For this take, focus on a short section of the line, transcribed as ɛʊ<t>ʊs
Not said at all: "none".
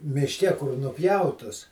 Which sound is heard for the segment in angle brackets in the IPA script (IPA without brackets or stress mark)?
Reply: t